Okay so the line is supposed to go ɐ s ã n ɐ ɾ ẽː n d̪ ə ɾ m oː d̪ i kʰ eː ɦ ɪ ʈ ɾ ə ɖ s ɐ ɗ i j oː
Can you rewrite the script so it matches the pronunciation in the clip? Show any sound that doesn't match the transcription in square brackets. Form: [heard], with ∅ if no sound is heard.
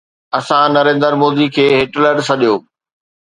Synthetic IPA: ɐ s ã n ɐ ɾ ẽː n d̪ ə ɾ m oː d̪ i kʰ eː ɦ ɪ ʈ [l] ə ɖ s ɐ ɗ i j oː

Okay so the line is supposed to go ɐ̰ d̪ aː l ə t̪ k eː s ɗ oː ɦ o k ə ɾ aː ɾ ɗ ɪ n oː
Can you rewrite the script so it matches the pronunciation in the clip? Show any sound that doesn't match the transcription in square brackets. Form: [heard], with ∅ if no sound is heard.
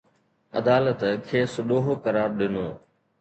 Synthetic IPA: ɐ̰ d̪ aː l ə t̪ [kʰ] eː s ɗ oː ɦ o k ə ɾ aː ɾ ɗ ɪ n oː

